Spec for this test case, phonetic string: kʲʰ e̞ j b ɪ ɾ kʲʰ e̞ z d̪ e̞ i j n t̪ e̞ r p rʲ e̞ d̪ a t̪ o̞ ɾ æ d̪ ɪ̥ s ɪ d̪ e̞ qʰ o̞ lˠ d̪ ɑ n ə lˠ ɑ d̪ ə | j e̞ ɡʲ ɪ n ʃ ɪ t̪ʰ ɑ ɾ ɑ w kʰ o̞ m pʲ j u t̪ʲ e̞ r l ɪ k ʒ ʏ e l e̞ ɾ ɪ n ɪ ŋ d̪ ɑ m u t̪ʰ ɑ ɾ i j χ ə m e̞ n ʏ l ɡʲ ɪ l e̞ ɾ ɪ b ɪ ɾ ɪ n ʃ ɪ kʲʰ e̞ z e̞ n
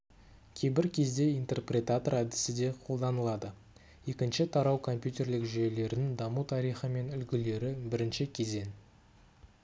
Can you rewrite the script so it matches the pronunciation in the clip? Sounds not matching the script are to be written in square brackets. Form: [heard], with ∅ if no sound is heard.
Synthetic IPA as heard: kʲʰ e̞ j b ɪ ɾ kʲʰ e̞ z d̪ e̞ i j n t̪ e̞ r p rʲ e̞ [t̪] a t̪ o̞ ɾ æ d̪ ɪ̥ s ɪ d̪ e̞ qʰ o̞ lˠ d̪ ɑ n ə lˠ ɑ d̪ ə | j e̞ [kʲ] ɪ n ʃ ɪ t̪ʰ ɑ ɾ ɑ w kʰ o̞ m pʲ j u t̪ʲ e̞ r l ɪ k ʒ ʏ e l e̞ ɾ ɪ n ɪ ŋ d̪ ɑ m u t̪ʰ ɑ ɾ i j χ ə m e̞ n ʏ l ɡʲ ɪ l e̞ ɾ ɪ b ɪ ɾ ɪ n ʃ ɪ kʲʰ e̞ z e̞ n